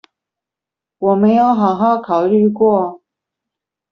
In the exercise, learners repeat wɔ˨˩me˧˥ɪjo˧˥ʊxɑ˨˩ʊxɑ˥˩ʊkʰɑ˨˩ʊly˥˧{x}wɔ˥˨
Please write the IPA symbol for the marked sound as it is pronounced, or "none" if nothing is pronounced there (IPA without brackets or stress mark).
k